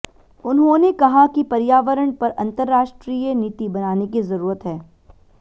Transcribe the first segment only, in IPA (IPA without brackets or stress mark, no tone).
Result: ʊ